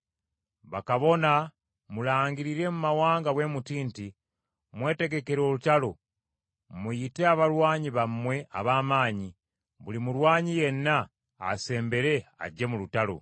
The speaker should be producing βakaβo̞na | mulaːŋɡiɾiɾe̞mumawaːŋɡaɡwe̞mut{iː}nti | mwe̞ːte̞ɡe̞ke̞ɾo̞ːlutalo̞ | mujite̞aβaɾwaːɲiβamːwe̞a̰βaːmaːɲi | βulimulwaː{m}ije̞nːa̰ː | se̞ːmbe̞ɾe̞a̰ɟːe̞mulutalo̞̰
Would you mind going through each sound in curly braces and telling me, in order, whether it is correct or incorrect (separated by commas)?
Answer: correct, incorrect